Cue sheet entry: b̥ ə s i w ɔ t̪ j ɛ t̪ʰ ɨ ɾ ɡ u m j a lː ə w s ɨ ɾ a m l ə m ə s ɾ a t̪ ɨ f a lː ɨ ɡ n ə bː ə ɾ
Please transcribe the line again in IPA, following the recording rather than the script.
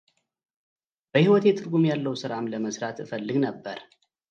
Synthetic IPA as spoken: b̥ ə h i w ɔ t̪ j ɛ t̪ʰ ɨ ɾ ɡ u m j a lː ə w s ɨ ɾ a m l ə m ə s ɾ a t̪ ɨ f ə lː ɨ ɡ n ə bː ə ɾ

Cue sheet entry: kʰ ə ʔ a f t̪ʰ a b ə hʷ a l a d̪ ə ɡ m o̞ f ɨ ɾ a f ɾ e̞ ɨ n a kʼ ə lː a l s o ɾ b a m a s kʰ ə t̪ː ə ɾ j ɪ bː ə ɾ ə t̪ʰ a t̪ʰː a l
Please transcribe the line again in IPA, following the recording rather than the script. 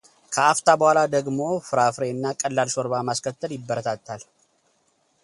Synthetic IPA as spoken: kʰ ə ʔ a f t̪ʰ a b ə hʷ a l a d̪ ə ɡ m o̞ f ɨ ɾ a f ɾ e̞ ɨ nː a kʼ ə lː a l s o ɾ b a m a s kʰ ə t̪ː ə l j ɪ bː ə ɾ ə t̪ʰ a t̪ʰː a l

